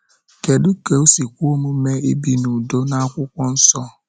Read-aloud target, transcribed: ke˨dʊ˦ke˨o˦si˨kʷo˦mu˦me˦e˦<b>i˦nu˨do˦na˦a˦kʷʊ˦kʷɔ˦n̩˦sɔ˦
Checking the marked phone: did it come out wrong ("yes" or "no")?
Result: no